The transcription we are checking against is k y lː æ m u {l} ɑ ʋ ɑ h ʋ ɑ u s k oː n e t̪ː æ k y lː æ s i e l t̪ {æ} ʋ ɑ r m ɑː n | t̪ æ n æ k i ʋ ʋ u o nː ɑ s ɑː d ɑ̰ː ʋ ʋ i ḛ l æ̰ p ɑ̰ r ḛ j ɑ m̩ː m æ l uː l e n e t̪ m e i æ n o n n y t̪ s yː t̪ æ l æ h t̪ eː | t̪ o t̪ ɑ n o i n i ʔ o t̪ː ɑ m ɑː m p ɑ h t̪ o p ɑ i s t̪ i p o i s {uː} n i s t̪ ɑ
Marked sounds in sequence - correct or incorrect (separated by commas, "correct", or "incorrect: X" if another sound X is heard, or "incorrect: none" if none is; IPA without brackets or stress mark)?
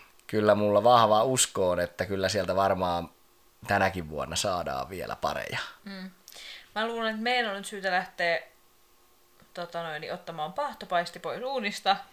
incorrect: lː, correct, correct